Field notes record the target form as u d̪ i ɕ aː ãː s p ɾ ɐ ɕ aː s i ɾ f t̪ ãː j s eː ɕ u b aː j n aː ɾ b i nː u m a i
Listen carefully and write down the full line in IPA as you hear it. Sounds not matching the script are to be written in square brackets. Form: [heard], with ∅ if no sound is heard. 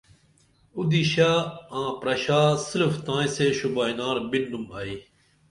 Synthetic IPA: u d̪ i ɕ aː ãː [∅] p ɾ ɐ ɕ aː s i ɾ f t̪ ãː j s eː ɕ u b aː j n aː ɾ b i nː u m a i

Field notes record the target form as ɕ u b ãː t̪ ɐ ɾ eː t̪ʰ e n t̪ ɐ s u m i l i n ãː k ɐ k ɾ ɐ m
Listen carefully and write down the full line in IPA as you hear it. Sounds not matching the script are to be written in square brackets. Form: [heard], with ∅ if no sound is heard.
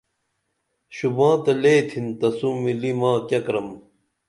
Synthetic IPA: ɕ u b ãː t̪ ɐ [l] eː t̪ʰ [i] n t̪ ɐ s u m i l i [m] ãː k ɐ k ɾ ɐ m

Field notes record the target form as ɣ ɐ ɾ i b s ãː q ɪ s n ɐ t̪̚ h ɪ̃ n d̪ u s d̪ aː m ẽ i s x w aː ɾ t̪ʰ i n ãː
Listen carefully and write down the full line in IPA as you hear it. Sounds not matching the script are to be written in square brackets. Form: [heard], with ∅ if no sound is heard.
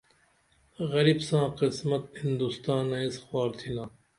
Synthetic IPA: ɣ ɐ ɾ i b s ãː q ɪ s [m] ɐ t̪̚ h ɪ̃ n d̪ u s [t̪] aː [n] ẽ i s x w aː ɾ t̪ʰ i n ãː

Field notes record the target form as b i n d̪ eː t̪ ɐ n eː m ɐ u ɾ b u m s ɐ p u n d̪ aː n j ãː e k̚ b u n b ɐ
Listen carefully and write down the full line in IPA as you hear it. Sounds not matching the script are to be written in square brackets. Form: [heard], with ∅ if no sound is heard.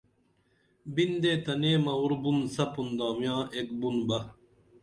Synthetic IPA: b i n d̪ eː t̪ ɐ n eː m ɐ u ɾ b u [n] s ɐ p u n d̪ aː [m] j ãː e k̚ b u n b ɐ

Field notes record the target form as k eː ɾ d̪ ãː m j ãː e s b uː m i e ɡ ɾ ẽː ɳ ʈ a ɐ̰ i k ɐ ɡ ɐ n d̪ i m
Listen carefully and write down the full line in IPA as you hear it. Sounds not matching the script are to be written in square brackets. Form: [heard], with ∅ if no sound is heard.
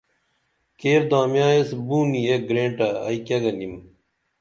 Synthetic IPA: k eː ɾ d̪ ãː m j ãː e s b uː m i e ɡ ɾ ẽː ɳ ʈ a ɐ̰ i k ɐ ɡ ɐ n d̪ i m

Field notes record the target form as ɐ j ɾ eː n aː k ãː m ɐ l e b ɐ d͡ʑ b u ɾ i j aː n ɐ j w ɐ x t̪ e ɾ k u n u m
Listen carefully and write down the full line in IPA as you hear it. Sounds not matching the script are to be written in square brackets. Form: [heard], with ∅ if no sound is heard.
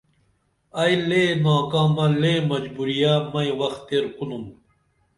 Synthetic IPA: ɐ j [l] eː n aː k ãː m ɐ l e [m] ɐ d͡ʑ b u ɾ i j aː [m] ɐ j w ɐ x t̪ e ɾ k u n u m

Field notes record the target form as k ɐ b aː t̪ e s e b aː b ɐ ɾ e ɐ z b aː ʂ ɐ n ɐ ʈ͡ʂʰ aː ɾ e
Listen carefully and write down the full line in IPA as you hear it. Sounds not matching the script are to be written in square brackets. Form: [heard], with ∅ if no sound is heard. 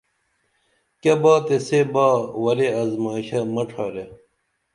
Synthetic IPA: k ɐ b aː t̪ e s e b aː [w] ɐ ɾ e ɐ z [m] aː [ɕ] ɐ [m] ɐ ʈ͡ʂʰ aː ɾ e

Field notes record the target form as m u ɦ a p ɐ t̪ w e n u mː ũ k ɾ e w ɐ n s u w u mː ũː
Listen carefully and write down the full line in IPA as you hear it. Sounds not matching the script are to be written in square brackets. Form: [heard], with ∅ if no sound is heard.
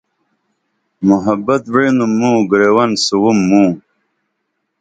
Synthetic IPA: m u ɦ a [b] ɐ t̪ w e n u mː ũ [ɡ] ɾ e w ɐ n s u w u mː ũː

